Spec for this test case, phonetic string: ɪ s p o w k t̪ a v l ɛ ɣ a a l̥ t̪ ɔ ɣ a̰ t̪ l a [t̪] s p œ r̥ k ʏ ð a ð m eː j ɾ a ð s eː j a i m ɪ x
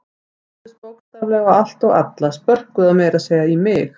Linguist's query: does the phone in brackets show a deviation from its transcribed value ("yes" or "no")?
yes